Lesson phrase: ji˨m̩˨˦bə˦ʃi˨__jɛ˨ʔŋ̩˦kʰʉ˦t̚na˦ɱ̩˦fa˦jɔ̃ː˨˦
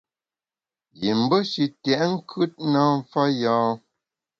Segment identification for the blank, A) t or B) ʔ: A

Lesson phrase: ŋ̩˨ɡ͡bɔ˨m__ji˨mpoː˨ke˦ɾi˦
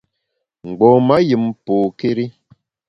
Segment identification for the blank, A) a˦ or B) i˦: A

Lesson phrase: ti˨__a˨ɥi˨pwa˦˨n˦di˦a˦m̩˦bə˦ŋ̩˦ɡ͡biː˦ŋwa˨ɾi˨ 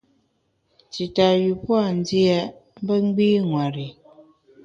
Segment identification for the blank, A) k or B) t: B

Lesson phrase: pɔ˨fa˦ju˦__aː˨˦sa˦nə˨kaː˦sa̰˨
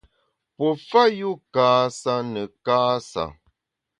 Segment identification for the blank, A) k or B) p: A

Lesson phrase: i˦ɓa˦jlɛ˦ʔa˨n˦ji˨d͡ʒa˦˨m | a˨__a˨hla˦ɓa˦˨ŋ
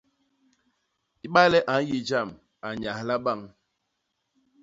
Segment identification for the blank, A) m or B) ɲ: B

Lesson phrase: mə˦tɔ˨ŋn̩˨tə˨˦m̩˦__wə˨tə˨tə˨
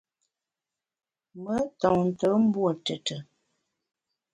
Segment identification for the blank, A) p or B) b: B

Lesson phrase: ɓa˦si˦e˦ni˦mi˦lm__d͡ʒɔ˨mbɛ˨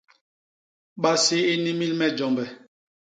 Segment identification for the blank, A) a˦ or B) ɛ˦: B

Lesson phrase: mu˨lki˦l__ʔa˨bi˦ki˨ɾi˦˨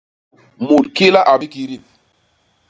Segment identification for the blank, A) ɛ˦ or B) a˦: B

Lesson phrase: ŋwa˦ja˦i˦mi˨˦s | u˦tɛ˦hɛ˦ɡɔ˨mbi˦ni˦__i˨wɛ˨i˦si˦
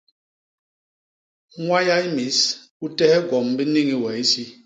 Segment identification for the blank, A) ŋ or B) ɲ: A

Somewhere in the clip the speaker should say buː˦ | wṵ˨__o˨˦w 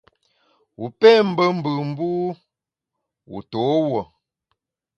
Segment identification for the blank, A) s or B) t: B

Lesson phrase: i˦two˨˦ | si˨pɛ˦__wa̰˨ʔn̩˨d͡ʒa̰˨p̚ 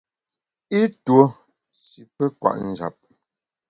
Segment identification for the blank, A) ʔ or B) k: B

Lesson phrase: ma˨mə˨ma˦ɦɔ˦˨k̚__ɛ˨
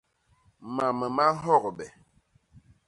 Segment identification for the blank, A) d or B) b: B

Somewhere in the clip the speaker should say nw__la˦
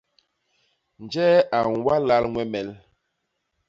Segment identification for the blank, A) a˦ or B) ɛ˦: A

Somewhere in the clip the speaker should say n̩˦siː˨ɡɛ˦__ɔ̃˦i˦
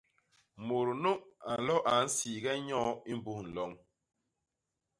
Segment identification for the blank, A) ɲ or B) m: A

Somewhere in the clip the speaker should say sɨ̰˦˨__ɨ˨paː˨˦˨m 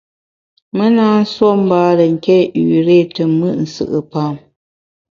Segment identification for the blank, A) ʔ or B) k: A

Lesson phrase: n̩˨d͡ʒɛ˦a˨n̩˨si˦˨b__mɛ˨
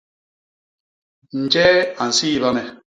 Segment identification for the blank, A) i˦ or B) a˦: B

